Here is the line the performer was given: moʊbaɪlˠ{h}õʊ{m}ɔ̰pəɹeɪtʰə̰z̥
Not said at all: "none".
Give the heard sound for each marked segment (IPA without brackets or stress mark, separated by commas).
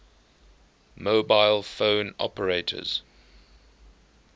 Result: f, n